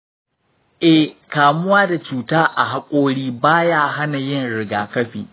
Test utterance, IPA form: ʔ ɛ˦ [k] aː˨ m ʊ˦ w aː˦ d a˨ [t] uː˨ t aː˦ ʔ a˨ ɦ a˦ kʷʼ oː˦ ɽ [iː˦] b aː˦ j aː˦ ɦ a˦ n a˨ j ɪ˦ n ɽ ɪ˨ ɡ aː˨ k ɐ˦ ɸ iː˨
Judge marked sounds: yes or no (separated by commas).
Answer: yes, no, yes